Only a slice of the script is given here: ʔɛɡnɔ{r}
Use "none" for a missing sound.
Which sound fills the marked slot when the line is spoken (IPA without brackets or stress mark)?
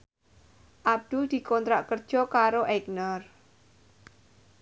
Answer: r